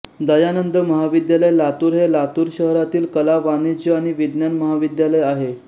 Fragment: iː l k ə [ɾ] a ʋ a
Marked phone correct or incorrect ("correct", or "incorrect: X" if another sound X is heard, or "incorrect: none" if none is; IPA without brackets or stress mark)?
incorrect: l